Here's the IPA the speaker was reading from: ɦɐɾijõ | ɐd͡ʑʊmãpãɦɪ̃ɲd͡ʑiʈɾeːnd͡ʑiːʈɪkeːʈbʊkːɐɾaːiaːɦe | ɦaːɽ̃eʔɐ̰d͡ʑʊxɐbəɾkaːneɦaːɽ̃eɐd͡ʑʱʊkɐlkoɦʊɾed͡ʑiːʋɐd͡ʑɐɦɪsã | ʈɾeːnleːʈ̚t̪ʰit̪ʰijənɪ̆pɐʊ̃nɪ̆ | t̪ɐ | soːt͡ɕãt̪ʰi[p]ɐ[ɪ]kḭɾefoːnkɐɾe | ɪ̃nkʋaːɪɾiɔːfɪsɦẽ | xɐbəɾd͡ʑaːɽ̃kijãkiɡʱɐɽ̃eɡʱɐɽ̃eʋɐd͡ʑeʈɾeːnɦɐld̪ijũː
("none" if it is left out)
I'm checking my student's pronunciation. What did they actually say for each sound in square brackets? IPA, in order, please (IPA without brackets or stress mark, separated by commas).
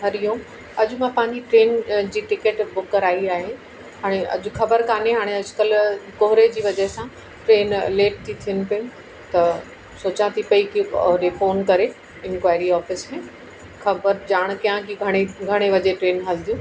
p, i